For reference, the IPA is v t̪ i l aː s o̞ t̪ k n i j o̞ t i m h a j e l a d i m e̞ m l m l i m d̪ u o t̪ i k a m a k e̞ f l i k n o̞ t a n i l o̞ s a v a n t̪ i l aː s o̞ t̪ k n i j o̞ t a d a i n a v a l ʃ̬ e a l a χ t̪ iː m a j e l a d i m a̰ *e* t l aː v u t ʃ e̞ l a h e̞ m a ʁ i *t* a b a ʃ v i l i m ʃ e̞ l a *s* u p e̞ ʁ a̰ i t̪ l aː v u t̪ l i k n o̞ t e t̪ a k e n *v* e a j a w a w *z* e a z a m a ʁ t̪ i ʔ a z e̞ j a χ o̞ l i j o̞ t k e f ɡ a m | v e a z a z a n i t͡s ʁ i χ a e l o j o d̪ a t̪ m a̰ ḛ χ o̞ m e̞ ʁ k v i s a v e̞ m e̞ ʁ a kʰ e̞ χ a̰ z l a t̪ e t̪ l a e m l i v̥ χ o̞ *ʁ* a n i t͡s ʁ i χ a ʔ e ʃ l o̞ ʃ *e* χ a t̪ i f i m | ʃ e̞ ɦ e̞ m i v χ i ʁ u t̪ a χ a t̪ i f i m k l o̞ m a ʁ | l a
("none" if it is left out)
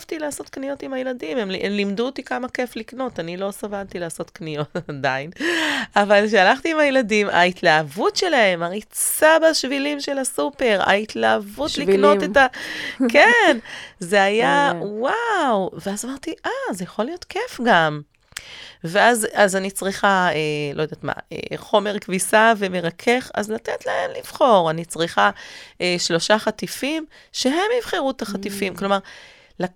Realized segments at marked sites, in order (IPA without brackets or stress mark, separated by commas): i, t͡s, s, z, v, ʁ, a